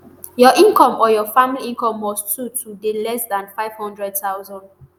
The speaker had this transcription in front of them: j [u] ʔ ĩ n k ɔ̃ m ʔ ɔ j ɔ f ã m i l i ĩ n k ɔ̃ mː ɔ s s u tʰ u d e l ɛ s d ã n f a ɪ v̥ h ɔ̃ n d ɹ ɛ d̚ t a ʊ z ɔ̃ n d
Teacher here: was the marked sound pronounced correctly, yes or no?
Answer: no